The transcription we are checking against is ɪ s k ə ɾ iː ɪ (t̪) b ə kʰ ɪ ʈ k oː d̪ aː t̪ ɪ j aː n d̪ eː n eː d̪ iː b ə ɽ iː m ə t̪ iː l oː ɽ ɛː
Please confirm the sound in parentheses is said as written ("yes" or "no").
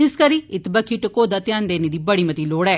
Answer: yes